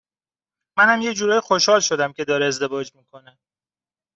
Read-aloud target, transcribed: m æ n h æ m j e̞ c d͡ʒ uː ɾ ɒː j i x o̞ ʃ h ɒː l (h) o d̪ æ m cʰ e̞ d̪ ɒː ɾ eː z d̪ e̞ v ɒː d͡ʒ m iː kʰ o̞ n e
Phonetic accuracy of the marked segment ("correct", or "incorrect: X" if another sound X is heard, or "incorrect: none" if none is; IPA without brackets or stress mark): incorrect: ʃ